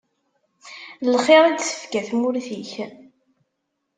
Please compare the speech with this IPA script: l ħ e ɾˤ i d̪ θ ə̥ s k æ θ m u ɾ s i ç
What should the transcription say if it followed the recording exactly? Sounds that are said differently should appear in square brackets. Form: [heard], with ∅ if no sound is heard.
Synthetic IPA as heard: l [χ] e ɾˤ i d̪ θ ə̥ [f] k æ θ m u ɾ [θ] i ç